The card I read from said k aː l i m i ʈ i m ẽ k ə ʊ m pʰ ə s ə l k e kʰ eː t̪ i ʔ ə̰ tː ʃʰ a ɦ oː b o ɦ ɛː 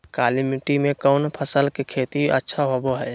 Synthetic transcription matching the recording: k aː l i m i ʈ i m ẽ k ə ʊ n pʰ ə s ə l k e kʰ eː t̪ i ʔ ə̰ tː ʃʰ a ɦ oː b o ɦ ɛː